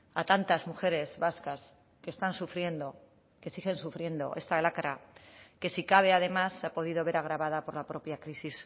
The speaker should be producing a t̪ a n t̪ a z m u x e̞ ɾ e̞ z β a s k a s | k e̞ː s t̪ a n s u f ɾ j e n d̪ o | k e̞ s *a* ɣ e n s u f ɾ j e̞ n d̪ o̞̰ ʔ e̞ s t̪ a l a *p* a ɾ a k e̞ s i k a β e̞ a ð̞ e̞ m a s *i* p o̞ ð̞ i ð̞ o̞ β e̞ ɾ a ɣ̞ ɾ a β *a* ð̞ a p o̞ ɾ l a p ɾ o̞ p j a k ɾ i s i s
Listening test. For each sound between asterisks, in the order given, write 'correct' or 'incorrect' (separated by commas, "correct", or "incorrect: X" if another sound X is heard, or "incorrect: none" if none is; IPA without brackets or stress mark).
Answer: incorrect: i, incorrect: k, incorrect: a, correct